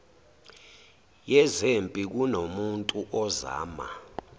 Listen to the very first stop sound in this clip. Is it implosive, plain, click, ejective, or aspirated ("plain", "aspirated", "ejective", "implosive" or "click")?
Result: ejective